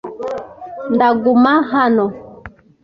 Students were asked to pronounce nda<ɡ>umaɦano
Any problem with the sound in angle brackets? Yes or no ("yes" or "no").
no